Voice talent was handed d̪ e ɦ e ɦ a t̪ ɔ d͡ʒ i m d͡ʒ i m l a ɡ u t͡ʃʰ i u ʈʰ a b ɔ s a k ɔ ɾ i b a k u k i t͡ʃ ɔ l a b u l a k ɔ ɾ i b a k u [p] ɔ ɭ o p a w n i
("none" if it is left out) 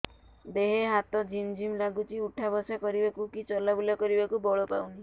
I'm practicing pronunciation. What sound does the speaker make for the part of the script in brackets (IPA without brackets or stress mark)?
b